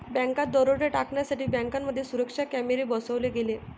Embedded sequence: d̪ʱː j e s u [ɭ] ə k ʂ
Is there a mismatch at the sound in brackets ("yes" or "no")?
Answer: yes